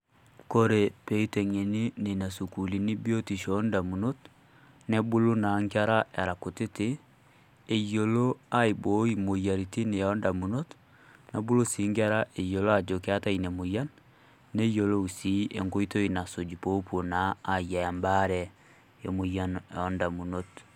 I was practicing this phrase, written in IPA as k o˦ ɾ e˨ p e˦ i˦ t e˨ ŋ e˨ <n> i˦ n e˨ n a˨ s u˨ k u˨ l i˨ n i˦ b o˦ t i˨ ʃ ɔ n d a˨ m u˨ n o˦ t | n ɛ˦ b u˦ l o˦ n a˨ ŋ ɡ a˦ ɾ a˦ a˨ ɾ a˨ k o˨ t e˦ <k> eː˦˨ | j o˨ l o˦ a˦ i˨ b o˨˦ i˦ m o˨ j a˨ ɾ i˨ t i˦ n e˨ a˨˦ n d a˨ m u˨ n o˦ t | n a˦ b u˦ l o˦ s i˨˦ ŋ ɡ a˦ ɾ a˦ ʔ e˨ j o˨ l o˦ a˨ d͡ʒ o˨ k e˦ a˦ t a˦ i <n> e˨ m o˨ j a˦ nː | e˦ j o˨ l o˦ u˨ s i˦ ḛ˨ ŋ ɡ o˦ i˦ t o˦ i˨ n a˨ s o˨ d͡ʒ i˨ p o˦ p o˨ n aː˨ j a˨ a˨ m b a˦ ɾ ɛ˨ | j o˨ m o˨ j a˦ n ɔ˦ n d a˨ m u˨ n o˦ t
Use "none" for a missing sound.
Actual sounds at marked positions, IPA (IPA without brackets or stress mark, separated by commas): n, t, n